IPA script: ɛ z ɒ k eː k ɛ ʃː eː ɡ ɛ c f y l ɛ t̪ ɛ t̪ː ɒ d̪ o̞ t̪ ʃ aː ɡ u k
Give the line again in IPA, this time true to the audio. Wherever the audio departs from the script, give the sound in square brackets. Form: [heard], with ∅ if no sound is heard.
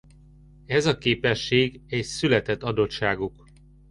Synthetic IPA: ɛ z ɒ k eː [p] ɛ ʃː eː ɡ ɛ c [s] y l ɛ t̪ ɛ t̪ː ɒ d̪ o̞ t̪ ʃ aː ɡ u k